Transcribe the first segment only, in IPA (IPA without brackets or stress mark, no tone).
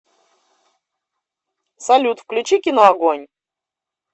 s